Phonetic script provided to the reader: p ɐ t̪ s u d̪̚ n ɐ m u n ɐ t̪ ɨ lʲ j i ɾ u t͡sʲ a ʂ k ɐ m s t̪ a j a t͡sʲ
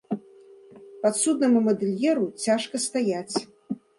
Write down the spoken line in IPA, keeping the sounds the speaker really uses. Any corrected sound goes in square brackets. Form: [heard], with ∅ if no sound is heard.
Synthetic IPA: p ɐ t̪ s u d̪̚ n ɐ m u [m] ɐ [d̪] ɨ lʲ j [ɛ] ɾ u t͡sʲ a ʂ k ɐ [∅] s t̪ a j a t͡sʲ